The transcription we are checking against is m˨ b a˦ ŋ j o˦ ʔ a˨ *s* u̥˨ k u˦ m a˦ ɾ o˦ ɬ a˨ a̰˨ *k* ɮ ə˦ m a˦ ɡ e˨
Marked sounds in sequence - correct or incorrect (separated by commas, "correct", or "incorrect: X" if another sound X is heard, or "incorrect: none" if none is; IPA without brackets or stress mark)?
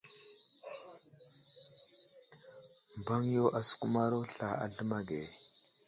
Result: correct, incorrect: none